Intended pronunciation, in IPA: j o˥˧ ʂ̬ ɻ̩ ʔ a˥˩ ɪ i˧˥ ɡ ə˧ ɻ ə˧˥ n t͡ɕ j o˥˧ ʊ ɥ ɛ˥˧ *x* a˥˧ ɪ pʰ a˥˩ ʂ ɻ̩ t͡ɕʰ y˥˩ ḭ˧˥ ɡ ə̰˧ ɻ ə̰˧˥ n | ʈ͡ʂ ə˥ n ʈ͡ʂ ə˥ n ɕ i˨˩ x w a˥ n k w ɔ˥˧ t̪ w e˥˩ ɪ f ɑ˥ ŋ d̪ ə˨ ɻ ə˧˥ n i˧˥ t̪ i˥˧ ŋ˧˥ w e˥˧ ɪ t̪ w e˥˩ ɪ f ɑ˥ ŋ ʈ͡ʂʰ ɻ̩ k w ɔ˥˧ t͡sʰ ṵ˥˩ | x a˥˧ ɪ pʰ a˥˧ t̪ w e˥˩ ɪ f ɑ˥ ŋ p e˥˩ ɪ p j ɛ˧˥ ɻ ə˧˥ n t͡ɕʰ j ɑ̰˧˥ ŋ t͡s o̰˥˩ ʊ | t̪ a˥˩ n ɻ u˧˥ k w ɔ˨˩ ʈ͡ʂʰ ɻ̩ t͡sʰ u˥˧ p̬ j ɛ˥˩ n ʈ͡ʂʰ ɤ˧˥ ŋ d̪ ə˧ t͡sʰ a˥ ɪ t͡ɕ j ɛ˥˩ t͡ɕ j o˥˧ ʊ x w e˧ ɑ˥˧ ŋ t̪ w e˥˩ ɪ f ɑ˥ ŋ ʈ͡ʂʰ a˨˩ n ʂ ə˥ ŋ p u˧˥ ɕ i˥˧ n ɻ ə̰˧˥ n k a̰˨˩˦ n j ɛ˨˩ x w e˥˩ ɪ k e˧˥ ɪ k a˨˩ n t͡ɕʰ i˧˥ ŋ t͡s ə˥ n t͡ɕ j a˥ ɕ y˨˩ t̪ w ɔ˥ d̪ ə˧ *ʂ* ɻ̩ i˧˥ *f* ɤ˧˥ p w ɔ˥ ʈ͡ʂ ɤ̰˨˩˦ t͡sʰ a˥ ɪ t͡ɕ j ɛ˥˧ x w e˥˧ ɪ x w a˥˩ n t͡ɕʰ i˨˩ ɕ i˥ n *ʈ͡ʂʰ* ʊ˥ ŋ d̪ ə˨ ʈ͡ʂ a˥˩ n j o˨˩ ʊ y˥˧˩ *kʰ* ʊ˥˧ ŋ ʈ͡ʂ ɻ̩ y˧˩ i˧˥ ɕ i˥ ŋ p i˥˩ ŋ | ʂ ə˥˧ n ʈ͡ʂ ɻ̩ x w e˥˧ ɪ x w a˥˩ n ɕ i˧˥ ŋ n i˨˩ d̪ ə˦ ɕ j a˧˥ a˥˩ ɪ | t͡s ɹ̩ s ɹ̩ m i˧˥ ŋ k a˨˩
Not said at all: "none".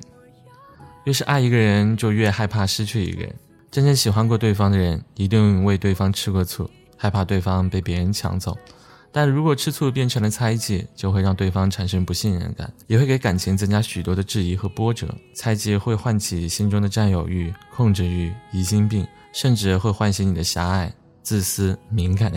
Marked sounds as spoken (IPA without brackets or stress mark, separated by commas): x, ʈ͡ʂ, x, ʈ͡ʂ, kʰ